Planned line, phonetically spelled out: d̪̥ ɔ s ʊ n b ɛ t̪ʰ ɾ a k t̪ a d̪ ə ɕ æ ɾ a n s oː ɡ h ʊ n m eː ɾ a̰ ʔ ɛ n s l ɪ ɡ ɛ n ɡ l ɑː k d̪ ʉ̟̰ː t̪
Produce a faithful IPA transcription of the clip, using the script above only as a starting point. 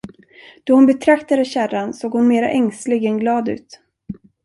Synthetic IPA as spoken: d̪̥ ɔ h ʊ n b ɛ t̪ʰ ɾ a k t̪ a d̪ ə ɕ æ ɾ a n s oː ɡ h ʊ n m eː ɾ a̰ ʔ ɛ ŋ s l ɪ ɡ ɛ n ɡ l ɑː d̪ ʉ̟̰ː t̪